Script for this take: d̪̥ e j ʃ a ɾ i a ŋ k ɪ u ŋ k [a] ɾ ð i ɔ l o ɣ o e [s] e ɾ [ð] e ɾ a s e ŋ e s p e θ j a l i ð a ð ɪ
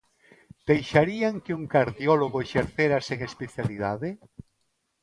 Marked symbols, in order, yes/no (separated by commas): yes, no, no